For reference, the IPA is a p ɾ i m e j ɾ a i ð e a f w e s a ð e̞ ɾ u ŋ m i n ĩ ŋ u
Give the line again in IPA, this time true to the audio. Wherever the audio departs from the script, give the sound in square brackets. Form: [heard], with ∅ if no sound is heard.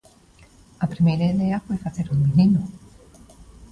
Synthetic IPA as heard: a p ɾ i m e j ɾ a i ð e a f w e [f] a [θ] e̞ ɾ u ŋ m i n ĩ [n] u